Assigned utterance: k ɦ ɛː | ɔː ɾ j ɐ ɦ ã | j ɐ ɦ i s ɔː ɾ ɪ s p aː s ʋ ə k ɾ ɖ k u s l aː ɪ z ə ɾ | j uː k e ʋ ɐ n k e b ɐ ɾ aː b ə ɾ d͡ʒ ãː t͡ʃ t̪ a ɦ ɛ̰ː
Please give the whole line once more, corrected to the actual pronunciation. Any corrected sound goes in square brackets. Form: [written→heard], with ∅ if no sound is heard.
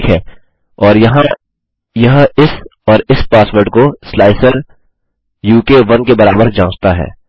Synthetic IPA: k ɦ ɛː | ɔː ɾ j ɐ ɦ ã | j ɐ ɦ [i→ɪ] s ɔː ɾ ɪ s p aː s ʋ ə [k→∅] ɾ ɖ k [u→o] s l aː ɪ [z→s] ə ɾ | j uː k e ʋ ɐ n k e b ɐ ɾ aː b ə ɾ d͡ʒ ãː t͡ʃ t̪ a ɦ ɛ̰ː